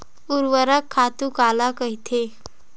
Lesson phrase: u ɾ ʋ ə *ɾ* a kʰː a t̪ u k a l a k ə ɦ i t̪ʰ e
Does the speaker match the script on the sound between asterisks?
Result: yes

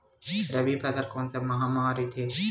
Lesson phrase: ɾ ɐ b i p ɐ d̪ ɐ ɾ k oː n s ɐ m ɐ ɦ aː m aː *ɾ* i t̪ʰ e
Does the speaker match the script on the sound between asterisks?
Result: yes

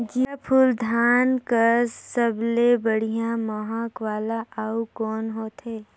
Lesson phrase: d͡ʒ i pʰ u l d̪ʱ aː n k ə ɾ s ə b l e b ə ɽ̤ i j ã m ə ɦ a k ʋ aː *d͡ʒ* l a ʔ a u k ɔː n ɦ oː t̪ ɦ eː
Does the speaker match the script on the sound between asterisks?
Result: no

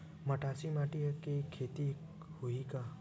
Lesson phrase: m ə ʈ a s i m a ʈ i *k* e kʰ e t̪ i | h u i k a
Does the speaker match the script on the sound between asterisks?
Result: yes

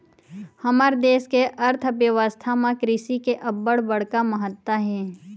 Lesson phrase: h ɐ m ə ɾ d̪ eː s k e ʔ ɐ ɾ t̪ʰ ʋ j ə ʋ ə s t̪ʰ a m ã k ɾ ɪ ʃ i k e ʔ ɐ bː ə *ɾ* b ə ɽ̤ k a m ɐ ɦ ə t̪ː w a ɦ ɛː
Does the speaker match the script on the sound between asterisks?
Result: no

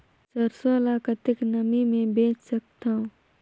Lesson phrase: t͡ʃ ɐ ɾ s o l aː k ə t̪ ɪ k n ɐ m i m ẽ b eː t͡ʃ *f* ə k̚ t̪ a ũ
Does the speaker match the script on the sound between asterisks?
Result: no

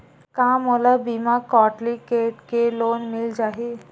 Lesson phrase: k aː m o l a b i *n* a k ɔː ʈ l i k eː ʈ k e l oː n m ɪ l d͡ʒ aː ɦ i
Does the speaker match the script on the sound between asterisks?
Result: no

